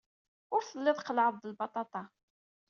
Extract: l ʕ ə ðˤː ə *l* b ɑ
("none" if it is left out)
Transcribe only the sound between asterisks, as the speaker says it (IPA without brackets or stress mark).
l